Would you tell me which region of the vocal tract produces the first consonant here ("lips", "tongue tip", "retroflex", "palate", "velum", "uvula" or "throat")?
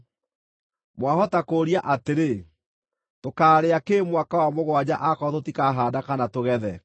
lips